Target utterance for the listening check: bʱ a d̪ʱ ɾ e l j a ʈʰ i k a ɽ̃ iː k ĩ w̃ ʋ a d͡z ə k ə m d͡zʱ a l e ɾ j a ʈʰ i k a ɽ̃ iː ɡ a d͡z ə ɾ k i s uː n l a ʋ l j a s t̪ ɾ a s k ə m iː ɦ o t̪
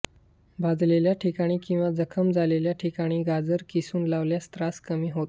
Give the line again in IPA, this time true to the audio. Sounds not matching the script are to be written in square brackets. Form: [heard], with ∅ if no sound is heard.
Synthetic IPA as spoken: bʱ a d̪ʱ [l] e l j a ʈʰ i k a ɽ̃ iː k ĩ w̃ ʋ a d͡z ə [kʰ] ə m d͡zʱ a l e [l] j a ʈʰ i k a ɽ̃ iː ɡ a d͡z ə ɾ k i s uː n l a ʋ l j a s t̪ ɾ a s k ə m iː ɦ o t̪

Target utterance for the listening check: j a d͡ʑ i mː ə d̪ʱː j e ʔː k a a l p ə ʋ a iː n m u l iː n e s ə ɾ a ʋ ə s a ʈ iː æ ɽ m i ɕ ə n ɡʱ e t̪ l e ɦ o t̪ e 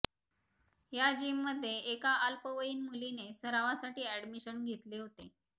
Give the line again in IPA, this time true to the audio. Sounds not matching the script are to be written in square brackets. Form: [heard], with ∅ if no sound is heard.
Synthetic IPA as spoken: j a d͡ʑ i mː ə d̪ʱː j e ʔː k a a l p ə ʋ [ə] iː n m u l [i] n e s ə ɾ a ʋ [a] s a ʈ iː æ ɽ m i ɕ ə n ɡʱ e t̪ l e ɦ o t̪ e

